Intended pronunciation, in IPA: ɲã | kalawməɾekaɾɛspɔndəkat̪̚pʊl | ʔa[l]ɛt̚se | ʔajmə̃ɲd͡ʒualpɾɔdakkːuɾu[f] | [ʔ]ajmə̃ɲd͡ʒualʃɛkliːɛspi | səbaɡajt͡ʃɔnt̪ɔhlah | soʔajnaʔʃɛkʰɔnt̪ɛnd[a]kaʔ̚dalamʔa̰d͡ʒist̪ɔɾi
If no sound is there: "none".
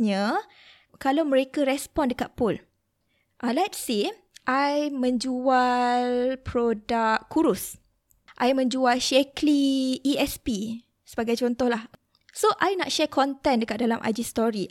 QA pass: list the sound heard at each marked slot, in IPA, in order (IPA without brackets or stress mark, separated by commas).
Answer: l, s, ʔ, ə